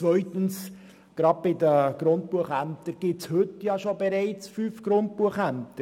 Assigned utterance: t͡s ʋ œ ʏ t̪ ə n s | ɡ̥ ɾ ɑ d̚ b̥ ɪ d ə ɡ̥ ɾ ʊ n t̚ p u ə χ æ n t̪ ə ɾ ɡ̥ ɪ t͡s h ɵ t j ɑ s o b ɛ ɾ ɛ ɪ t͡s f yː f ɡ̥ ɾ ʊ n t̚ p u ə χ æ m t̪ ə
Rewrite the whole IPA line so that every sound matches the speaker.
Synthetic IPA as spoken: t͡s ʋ œ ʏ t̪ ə n s | ɡ̥ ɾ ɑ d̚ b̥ ɪ d ə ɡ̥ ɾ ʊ n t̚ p u ə χ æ m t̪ ə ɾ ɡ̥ ɪ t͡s h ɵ t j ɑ ʃ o b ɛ ɾ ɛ ɪ t͡s f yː f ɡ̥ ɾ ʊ n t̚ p u ə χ æ m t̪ ə